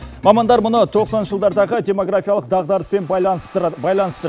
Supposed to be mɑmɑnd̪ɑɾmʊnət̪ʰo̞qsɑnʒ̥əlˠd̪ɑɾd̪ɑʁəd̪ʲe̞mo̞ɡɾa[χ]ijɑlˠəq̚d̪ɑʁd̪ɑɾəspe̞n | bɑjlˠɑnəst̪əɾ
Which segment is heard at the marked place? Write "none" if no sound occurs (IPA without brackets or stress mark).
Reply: f